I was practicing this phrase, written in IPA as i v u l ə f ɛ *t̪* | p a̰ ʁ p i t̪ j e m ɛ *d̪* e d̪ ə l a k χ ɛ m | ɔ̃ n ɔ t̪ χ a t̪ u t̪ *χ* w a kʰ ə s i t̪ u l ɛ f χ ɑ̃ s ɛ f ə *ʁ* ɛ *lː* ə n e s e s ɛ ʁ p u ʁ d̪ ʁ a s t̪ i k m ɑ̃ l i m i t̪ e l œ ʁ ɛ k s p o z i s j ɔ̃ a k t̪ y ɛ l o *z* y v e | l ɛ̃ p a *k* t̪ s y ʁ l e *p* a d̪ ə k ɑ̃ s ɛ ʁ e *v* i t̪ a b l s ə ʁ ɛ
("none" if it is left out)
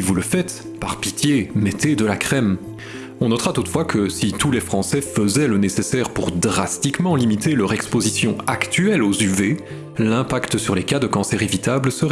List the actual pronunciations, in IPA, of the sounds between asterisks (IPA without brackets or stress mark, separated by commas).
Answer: t̪, t̪, f, z, l, z, k, k, v